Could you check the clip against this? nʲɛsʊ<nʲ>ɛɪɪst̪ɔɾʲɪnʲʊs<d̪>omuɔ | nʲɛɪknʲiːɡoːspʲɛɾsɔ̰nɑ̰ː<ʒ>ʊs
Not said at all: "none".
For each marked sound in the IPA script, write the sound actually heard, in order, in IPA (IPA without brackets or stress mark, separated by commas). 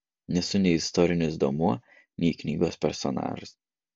nʲ, d̪, ʒ